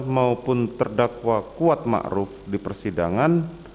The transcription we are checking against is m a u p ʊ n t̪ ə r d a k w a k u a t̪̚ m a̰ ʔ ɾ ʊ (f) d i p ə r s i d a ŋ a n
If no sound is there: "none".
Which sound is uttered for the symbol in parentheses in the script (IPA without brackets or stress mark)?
f